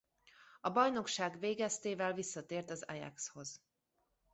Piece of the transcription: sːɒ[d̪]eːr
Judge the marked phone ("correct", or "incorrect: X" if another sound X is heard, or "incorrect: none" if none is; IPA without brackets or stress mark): incorrect: t̪